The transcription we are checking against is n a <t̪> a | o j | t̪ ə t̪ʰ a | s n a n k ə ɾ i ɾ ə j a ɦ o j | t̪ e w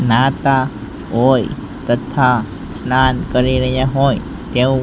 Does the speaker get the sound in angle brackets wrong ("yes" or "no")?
no